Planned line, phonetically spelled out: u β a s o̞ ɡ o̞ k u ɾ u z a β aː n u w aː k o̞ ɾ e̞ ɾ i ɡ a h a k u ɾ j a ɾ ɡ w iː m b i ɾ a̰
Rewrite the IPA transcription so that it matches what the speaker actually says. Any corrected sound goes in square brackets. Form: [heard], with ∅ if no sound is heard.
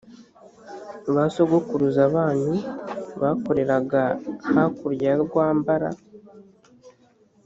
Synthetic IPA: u β a s o̞ ɡ o̞ k u ɾ u z a β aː n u [β] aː k o̞ ɾ e̞ ɾ [a] ɡ a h a k u ɾ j a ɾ ɡ w [aː] m b [a] ɾ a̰